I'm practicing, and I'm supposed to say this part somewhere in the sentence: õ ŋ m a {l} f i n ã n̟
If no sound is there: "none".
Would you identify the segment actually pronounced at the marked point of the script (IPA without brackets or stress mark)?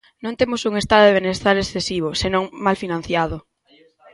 l